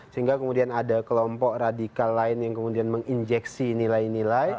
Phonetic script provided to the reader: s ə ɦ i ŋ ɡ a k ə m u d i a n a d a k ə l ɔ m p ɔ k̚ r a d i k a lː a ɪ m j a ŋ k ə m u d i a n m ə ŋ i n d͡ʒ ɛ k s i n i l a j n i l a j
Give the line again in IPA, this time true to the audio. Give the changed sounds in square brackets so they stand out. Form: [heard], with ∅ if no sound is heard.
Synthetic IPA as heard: s ə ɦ i ŋ ɡ a k ə m u d i a n a d a k ə l ɔ m p ɔ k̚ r a d i k a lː a ɪ [n] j a ŋ k ə m u d i a n m ə ŋ i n d͡ʒ ɛ k s i n i l a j n i l a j